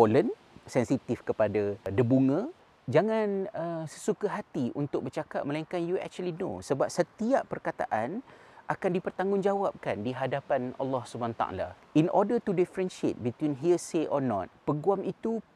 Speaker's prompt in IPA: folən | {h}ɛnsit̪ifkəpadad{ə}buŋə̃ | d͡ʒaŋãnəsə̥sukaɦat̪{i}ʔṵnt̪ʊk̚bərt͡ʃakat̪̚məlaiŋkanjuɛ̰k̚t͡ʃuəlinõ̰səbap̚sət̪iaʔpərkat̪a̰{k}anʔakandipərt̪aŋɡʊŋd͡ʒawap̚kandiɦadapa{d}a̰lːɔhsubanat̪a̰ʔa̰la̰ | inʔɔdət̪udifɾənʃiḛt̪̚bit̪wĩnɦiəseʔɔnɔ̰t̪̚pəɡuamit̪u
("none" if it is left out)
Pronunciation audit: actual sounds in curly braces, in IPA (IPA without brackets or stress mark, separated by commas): s, ə, i, ʔ, n